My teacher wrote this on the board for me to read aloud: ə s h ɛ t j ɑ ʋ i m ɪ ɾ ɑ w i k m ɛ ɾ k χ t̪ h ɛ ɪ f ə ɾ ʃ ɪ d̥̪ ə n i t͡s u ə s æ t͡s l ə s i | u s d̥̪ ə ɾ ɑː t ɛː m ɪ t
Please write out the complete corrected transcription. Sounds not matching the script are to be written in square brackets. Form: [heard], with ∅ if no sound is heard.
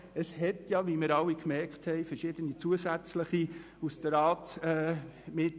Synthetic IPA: ə s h ɛ t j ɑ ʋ i m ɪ ɾ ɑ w i k m ɛ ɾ k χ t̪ h ɛ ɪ f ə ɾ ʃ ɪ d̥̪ ə n i t͡s u ə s æ t͡s l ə [χ] i | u s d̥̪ ə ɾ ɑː t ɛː m ɪ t